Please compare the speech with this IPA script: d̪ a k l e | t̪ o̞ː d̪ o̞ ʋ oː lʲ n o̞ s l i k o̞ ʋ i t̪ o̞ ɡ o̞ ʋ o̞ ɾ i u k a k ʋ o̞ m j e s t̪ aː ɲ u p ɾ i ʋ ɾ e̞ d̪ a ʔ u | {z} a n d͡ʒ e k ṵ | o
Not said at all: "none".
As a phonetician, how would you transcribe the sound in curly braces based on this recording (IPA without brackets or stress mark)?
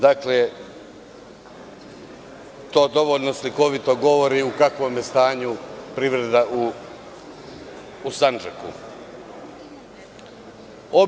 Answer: s